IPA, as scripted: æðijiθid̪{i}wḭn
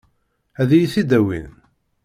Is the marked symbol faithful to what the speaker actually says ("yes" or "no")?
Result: no